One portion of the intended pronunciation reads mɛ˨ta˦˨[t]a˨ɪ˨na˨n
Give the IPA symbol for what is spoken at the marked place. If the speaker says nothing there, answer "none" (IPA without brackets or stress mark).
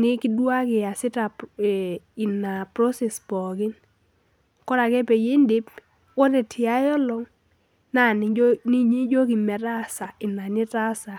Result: s